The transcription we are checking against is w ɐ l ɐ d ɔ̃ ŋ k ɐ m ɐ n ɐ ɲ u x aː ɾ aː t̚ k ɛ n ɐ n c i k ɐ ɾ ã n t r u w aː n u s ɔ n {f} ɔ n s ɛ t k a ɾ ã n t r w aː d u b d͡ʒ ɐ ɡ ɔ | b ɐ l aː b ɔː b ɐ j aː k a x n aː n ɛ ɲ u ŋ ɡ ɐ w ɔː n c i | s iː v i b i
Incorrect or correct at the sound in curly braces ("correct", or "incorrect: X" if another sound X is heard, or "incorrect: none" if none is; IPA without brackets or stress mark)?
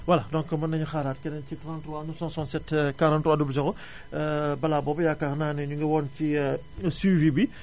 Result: incorrect: s